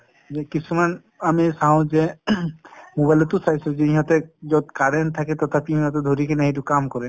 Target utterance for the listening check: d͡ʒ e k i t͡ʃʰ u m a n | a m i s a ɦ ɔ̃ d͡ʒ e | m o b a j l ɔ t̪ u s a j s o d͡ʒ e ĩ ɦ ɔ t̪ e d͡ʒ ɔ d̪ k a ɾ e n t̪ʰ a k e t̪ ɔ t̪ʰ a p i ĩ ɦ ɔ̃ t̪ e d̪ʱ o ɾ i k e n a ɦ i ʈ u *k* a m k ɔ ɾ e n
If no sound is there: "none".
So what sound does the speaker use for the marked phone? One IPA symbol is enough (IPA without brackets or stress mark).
k